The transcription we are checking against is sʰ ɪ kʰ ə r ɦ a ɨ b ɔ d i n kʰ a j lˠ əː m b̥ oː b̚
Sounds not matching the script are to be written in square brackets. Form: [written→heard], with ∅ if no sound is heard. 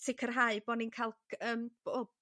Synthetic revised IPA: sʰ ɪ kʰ ə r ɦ a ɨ b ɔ [d→n] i n kʰ a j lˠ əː m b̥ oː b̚